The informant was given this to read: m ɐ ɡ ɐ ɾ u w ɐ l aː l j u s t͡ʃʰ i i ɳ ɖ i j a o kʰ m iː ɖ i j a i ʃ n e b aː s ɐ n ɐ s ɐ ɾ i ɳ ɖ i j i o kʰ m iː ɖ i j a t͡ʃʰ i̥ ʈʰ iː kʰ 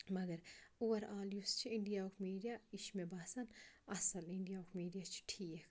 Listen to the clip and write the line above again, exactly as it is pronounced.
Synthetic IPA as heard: m ɐ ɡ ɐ ɾ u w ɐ ɾ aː l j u s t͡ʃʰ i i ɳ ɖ i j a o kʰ m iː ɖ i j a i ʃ m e b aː s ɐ n ɐ s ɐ l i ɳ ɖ i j a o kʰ m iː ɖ i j a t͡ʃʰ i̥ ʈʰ iː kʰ